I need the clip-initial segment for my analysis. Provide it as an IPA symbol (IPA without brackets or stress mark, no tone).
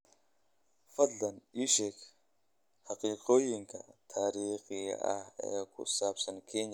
f